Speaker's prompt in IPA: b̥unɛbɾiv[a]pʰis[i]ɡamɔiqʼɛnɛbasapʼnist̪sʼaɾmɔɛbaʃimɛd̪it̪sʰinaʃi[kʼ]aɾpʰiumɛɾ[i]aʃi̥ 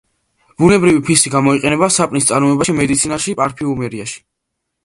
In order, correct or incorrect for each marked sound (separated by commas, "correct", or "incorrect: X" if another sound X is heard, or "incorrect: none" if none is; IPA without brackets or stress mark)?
incorrect: i, correct, incorrect: pʼ, correct